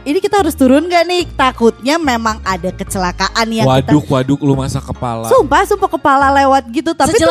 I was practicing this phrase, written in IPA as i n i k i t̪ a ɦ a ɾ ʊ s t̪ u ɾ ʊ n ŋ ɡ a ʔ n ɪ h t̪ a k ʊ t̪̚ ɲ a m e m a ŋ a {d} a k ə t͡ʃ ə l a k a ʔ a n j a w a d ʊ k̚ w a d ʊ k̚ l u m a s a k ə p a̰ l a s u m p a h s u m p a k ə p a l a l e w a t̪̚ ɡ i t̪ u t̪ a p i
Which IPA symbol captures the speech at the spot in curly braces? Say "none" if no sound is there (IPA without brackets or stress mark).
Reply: d